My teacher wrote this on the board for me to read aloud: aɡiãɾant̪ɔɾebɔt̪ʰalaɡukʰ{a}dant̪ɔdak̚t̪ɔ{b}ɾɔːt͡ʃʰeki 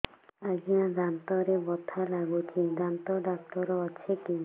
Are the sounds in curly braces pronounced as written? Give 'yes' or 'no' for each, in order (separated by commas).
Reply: no, no